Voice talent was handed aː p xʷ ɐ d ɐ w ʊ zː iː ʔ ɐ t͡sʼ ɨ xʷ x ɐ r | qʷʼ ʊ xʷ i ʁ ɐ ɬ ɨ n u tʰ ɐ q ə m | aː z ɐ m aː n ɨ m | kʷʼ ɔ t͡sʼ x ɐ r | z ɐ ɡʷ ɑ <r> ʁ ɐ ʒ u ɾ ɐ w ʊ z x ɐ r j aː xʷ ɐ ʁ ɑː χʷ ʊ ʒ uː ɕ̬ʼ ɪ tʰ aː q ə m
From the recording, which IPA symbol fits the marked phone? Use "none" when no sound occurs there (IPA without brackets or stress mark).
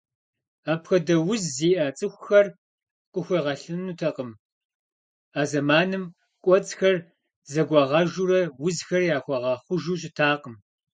none